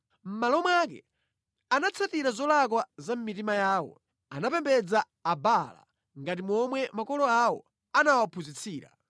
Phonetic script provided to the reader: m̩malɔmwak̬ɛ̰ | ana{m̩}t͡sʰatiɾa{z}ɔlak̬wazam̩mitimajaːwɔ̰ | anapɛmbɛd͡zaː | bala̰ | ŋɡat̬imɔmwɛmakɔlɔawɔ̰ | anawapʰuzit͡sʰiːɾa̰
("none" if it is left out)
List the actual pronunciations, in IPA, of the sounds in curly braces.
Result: none, z

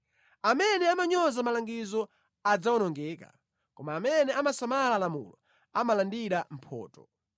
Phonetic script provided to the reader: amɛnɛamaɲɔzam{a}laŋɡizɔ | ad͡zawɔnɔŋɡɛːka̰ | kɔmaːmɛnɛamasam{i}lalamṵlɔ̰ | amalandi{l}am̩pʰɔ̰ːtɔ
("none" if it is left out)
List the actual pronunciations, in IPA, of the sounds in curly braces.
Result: a, a, ɾ

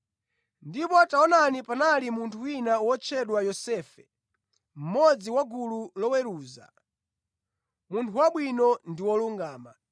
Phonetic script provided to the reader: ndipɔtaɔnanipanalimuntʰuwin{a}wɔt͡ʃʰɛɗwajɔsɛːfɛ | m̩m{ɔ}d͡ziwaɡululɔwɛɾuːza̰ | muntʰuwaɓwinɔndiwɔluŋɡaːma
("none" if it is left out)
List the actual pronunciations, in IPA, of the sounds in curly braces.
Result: a, ɔ

